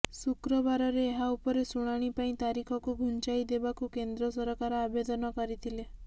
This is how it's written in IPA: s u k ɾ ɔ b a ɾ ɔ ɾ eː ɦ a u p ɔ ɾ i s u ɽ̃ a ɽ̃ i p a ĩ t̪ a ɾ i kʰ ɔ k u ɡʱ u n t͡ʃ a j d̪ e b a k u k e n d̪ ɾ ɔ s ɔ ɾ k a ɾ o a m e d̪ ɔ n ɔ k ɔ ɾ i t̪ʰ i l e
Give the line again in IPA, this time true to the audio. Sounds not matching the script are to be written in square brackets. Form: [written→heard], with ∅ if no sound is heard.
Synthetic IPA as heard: s u k ɾ ɔ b a ɾ ɔ ɾ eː ɦ a u p ɔ ɾ [i→e] s u ɽ̃ a ɽ̃ i p a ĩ t̪ a ɾ i kʰ ɔ k u ɡʱ u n t͡ʃ a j d̪ e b a k u k e n d̪ ɾ ɔ s ɔ ɾ k a ɾ [o→ɔ] a [m→b] e d̪ ɔ n ɔ k ɔ ɾ i t̪ʰ i l e